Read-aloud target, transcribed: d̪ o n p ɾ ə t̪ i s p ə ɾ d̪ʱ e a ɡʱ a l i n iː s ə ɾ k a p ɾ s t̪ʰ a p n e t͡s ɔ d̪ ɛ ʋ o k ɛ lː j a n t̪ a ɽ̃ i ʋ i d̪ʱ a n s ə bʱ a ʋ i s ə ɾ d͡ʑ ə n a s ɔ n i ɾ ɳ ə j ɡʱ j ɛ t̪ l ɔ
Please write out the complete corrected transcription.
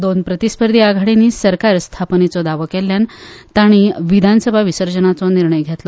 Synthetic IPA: d̪ o n p ɾ ə t̪ i s p ə ɾ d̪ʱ i a ɡʱ a ɽ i n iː s ə ɾ k a ɾ s t̪ʰ a p n e t͡s ɔ d̪ a ʋ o k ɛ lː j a n t̪ a ɽ̃ i ʋ i d̪ʱ a n s ə bʱ a ʋ i s ə ɾ d͡ʑ ə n a t͡s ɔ n i ɾ ɳ ə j ɡʱ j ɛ t̪ l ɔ